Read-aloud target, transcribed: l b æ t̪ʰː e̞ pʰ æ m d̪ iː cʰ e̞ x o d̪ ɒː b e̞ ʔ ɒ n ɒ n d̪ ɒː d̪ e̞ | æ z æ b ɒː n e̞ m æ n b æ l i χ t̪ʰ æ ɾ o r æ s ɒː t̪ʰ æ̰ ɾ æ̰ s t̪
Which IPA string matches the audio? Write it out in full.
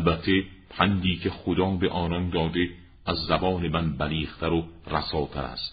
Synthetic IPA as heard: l b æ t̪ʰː e̞ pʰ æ n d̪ iː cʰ e̞ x o d̪ ɒː b e̞ ʔ ɒː n ɒ n d̪ ɒː d̪ e̞ | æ zː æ b ɒː n e̞ m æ n b æ l iː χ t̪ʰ æ ɾ o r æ s ɒː t̪ʰ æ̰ ɾ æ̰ s t̪